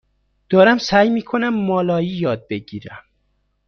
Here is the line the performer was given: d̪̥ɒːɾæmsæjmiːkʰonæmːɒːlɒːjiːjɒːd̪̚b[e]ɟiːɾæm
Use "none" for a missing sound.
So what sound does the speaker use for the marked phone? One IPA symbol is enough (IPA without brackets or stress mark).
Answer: e